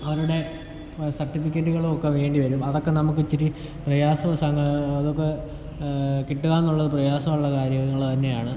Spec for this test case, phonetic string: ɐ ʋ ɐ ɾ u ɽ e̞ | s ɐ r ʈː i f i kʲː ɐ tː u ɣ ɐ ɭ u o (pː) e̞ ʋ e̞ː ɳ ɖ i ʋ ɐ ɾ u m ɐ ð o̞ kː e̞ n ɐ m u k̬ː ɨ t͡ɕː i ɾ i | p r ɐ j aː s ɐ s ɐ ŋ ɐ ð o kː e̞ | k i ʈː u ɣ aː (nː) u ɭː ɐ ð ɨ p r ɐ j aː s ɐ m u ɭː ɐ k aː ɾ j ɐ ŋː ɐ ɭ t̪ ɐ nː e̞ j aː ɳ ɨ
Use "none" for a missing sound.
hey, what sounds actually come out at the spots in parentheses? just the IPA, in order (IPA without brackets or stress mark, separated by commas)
kː, nː